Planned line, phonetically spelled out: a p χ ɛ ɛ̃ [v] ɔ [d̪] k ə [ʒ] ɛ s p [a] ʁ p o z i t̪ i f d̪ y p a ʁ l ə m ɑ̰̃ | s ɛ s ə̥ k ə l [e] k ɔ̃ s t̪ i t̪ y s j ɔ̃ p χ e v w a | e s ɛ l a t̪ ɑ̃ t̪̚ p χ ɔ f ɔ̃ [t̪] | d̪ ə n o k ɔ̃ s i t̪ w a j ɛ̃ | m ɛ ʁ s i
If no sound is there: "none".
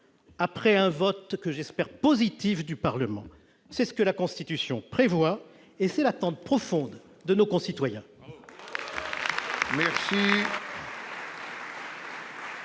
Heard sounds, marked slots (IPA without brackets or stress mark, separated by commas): v, t̪, ʒ, ɛ, a, d̪